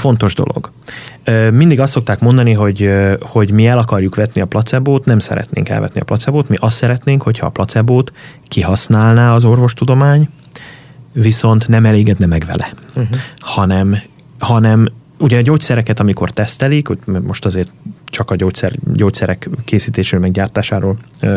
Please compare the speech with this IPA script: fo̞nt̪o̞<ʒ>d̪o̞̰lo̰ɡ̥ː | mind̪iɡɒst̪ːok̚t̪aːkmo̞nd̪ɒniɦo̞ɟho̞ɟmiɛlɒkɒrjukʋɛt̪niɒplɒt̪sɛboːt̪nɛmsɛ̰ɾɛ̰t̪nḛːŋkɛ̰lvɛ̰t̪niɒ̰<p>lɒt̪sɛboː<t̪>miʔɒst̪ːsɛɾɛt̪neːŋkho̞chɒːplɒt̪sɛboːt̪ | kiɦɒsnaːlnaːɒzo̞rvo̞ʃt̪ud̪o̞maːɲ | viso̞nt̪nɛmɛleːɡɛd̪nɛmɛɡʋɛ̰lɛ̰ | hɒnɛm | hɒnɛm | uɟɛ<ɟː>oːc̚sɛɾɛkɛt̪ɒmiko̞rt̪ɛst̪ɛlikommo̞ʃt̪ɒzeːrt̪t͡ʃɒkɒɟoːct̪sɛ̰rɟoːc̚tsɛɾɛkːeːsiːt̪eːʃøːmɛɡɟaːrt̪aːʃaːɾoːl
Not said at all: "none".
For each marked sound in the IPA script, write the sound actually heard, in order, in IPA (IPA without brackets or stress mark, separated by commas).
ʒ, p, t̪, ɟ